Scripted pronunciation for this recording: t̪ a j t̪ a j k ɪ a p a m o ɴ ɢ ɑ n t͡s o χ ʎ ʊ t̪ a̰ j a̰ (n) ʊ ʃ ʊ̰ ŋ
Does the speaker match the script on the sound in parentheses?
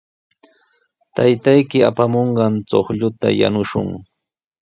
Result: yes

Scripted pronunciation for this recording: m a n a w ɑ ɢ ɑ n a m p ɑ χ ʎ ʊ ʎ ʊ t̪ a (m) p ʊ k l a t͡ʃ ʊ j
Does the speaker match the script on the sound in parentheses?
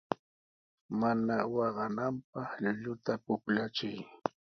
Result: no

